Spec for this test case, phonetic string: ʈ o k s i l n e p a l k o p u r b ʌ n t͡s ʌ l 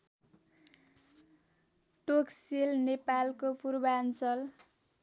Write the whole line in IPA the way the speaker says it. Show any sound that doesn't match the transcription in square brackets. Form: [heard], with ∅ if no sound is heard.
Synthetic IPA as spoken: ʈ o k s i l n e p a l k o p u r b [a] n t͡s ʌ l